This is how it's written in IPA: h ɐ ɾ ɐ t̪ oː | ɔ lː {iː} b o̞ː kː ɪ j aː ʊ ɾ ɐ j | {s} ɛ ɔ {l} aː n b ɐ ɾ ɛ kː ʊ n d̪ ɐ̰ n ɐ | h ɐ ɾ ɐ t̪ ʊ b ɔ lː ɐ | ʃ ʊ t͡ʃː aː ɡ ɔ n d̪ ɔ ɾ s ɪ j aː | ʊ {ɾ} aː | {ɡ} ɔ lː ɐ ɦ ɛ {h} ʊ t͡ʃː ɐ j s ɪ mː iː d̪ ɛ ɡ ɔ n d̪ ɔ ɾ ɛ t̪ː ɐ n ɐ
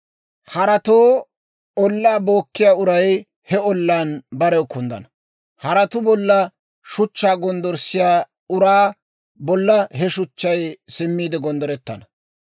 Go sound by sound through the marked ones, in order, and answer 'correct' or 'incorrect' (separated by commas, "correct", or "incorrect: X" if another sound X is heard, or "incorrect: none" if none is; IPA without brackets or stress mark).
incorrect: aː, incorrect: h, incorrect: lː, correct, incorrect: b, incorrect: ʃ